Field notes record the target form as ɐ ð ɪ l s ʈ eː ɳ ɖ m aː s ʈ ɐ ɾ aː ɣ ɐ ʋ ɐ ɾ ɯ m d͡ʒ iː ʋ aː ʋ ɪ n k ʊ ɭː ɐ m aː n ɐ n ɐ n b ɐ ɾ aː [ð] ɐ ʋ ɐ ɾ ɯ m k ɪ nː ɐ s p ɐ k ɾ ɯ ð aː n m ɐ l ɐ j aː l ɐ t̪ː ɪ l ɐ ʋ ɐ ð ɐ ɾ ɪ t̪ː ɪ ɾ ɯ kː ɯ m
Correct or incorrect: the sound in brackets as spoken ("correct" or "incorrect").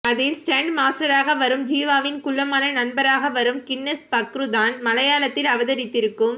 incorrect